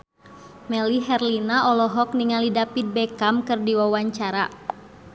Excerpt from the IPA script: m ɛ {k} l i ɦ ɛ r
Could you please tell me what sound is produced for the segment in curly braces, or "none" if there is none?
none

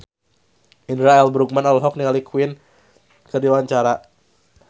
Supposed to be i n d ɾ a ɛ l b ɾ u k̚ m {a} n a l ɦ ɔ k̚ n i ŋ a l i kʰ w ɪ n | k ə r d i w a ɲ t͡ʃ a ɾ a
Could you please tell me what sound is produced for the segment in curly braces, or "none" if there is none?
a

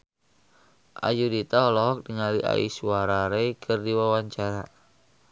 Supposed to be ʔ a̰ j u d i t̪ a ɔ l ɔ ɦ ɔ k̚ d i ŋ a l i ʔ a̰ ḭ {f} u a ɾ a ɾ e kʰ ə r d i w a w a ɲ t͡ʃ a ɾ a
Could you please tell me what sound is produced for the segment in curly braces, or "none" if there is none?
s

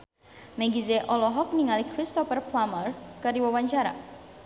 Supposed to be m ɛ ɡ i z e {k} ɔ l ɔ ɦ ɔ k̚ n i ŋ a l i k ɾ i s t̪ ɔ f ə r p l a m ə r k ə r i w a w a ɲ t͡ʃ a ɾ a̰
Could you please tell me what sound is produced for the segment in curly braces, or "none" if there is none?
ʔ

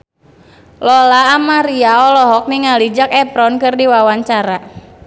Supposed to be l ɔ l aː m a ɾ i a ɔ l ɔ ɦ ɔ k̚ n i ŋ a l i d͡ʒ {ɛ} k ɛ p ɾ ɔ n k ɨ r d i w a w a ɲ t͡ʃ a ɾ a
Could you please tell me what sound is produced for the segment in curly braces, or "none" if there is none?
a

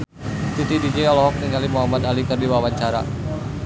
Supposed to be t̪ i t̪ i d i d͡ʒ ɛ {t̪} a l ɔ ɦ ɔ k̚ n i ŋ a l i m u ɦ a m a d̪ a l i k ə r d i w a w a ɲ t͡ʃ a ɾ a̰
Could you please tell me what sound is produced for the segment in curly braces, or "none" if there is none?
none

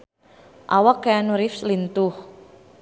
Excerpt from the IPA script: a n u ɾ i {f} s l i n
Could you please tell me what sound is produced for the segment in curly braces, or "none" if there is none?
f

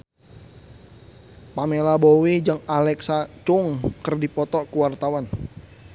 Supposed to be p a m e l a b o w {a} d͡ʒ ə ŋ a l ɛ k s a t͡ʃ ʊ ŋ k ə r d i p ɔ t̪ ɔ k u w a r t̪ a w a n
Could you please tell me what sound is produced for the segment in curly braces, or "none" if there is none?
i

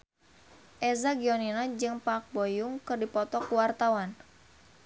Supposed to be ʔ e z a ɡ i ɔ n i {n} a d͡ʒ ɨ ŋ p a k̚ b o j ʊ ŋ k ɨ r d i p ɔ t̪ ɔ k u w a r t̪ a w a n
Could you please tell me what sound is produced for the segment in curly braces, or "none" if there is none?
n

